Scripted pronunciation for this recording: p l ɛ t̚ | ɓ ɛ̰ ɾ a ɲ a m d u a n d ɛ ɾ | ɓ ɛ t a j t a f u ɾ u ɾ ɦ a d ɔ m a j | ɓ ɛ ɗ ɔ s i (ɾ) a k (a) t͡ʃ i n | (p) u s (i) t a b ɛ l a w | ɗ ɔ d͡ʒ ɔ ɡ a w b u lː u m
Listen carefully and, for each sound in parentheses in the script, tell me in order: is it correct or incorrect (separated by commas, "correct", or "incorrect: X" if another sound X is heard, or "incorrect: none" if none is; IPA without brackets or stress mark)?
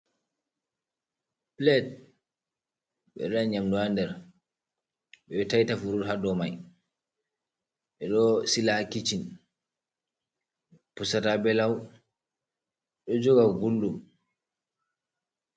incorrect: l, incorrect: i, correct, incorrect: a